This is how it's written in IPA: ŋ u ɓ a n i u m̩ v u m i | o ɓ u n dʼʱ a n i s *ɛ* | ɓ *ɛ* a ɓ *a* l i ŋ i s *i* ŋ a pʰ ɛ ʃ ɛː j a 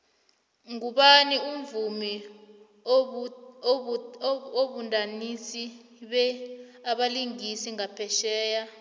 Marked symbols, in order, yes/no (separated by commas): no, yes, yes, yes